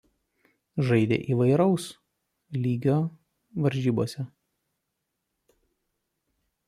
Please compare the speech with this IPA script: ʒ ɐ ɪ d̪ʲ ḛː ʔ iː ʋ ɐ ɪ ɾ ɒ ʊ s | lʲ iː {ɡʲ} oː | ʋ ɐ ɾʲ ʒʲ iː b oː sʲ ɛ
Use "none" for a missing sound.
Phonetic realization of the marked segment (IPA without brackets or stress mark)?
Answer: ɡʲ